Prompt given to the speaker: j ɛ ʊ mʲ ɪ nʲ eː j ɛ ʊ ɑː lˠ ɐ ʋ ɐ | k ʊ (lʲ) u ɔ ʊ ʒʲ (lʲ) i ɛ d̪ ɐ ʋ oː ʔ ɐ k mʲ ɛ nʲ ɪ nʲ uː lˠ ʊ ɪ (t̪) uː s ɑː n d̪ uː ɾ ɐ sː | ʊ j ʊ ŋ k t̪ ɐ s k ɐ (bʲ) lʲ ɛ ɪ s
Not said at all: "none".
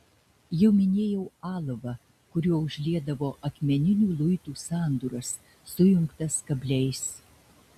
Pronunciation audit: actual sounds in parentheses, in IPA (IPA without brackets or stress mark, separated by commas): ɾʲ, lʲ, t̪, bʲ